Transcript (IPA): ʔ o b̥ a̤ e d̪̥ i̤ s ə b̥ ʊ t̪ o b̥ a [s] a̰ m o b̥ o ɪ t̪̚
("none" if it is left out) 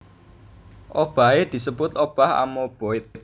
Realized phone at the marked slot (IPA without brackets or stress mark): h